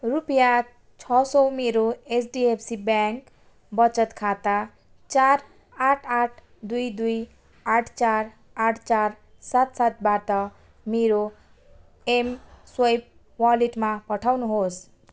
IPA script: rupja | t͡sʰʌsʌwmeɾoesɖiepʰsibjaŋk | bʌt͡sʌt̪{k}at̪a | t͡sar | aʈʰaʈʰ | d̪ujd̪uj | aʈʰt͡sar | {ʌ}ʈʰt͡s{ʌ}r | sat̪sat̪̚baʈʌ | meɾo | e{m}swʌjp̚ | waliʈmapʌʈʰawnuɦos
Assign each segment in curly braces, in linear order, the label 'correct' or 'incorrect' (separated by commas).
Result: incorrect, incorrect, incorrect, correct